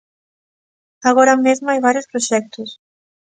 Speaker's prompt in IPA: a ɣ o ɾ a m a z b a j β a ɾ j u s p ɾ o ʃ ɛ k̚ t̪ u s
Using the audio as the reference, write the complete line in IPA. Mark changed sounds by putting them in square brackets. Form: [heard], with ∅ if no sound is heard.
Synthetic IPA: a ɣ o ɾ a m [e] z [m] a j β a ɾ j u s p ɾ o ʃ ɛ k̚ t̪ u s